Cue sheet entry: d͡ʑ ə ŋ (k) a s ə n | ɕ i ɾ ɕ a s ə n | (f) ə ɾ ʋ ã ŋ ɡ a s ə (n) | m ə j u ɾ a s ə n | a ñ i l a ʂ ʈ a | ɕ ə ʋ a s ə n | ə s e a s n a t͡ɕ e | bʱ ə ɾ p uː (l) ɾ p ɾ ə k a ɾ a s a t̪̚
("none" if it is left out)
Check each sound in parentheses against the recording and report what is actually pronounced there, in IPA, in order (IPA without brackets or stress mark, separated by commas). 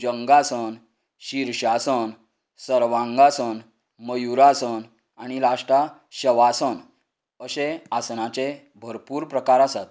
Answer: ɡ, s, n, none